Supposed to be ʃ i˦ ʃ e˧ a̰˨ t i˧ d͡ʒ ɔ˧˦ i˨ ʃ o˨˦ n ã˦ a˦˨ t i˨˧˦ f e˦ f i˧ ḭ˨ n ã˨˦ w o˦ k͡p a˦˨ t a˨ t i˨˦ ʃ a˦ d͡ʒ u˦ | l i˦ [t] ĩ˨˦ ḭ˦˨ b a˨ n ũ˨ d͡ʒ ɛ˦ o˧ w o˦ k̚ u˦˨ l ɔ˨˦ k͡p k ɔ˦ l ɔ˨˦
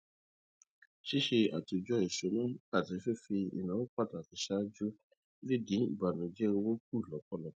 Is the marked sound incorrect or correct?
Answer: incorrect